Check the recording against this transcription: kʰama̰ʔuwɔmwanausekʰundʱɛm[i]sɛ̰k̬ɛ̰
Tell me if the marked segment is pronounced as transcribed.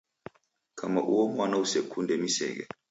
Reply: yes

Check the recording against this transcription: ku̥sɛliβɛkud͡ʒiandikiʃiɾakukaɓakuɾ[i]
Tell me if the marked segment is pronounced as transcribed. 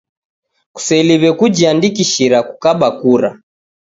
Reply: no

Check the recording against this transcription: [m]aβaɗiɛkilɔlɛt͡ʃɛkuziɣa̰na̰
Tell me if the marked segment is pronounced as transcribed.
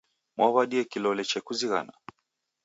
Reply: yes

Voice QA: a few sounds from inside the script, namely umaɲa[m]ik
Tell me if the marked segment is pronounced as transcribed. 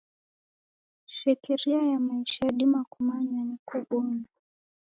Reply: no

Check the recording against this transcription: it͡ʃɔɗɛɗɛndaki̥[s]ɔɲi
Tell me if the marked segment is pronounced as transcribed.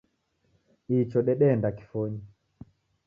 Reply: no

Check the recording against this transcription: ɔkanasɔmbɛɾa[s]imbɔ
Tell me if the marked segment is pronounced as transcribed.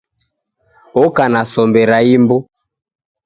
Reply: no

